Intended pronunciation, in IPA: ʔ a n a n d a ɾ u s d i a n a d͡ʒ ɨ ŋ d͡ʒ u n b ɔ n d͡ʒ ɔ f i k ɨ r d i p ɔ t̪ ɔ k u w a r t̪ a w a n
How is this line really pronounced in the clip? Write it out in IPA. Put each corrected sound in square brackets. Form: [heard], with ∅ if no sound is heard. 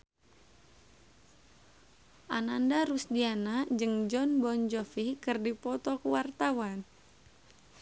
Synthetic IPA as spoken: ʔ a n a n d a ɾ u s d i a n a d͡ʒ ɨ ŋ d͡ʒ [ɔ] n b ɔ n d͡ʒ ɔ f i k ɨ r d i p ɔ t̪ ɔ k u w a r t̪ a w a n